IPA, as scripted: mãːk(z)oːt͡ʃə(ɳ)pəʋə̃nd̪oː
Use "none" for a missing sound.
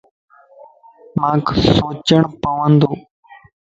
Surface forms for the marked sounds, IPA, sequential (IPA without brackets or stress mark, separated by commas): s, ɳ